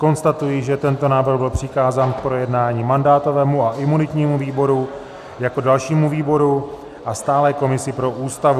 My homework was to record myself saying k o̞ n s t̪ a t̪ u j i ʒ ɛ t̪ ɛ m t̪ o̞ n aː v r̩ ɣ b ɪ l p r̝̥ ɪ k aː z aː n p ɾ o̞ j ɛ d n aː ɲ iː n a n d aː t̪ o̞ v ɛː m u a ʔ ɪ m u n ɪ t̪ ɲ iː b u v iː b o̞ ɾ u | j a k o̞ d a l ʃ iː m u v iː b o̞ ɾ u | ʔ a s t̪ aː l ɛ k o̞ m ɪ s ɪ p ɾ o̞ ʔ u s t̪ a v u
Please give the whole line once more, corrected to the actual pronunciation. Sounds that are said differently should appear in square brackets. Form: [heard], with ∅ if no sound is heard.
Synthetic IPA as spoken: k o̞ n s t̪ a t̪ u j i ʒ ɛ t̪ ɛ [n] t̪ o̞ n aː v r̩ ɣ b ɪ l p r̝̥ ɪ k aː z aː n p ɾ o̞ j ɛ d n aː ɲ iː [m] a n d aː t̪ o̞ v ɛː m u a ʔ ɪ m u n ɪ t̪ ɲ iː [m] u v iː b o̞ ɾ u | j a k o̞ d a l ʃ iː m u v iː b o̞ ɾ u | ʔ a s t̪ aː l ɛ k o̞ m ɪ s ɪ p ɾ o̞ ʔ [uː] s t̪ a v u